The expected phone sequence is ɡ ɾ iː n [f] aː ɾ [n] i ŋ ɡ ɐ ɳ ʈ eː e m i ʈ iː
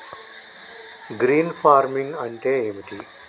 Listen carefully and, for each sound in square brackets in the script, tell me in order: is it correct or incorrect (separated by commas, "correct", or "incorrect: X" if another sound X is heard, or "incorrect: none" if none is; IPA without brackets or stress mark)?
correct, incorrect: m